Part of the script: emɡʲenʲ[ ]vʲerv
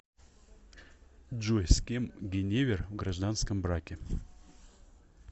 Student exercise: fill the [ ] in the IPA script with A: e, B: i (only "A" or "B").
A